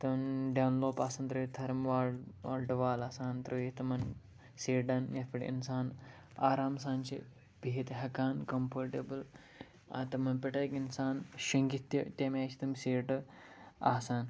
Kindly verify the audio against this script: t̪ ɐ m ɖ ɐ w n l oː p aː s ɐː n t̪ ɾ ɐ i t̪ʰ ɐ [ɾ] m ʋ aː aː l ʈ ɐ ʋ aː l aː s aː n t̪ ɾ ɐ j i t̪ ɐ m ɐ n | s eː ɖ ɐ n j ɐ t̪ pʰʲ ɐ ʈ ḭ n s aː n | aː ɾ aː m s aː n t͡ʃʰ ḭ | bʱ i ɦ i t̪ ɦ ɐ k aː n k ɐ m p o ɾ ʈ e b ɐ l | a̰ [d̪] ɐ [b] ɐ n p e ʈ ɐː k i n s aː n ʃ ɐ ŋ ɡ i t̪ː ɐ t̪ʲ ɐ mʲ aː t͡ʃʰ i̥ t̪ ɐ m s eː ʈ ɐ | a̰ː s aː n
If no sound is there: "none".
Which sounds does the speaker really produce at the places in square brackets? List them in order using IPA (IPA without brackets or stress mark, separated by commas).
ɾ, t̪, m